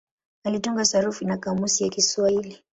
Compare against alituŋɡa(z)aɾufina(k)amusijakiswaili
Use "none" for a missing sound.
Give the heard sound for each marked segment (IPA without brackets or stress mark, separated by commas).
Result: s, k